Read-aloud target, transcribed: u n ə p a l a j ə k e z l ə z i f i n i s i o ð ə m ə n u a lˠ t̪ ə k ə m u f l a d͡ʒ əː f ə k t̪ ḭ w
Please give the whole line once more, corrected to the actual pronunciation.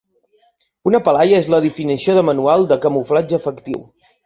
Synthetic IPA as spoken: u n ə p ə l a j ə e z l ə ð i f i n i s i o ð ə m ə n u a lˠ d̪ ə k ə m u f l a d͡ʒ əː f ə k t̪ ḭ w